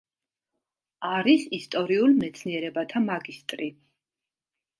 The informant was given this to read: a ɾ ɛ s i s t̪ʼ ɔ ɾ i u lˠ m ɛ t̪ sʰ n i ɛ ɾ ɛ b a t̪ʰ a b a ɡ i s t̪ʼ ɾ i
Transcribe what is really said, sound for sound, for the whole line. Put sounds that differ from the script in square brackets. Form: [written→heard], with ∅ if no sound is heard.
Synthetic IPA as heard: a ɾ [ɛ→i] s i s t̪ʼ ɔ ɾ i u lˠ m ɛ t̪ sʰ n i ɛ ɾ ɛ b a t̪ʰ a [b→m] a ɡ i s t̪ʼ ɾ i